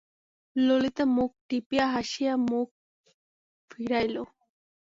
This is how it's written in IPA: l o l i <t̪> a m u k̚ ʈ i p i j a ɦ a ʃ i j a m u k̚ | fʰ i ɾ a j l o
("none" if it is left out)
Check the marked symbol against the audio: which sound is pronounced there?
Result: t̪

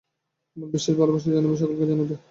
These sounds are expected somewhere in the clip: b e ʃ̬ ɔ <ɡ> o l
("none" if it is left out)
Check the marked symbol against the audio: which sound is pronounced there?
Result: k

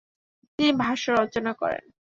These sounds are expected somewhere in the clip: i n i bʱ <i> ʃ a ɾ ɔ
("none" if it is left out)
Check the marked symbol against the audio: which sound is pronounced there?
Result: a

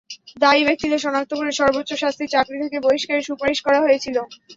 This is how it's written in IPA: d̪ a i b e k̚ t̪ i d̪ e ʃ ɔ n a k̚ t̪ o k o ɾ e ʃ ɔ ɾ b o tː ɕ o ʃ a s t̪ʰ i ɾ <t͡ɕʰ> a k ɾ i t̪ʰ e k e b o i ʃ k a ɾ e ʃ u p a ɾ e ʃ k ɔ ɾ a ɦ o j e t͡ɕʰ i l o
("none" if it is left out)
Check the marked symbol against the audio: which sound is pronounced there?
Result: t͡ɕ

